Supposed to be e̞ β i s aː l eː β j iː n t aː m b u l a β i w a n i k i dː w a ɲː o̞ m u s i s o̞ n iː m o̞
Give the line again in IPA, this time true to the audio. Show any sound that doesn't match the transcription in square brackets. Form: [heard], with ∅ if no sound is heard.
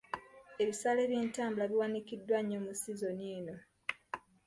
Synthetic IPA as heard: e̞ β i s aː l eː β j iː n t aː m b u l a β i w a n i k i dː w a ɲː o̞ m u s i [z] o̞ n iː [n] o̞